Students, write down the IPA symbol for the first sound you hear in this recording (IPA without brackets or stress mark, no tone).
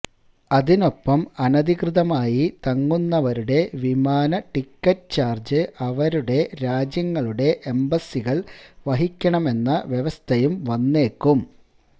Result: ɐ